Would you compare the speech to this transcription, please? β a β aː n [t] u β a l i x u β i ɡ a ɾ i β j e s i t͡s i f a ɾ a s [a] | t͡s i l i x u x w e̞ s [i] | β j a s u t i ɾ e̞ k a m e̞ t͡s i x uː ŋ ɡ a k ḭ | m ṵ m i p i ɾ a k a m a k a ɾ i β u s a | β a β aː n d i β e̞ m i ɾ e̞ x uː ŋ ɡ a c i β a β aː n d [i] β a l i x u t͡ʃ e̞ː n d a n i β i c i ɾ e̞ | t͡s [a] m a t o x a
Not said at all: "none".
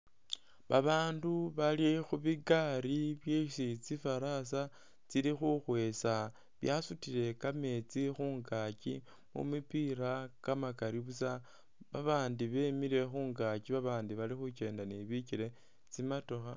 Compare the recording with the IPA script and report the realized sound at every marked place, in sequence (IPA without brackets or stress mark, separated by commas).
d, a, a, i, i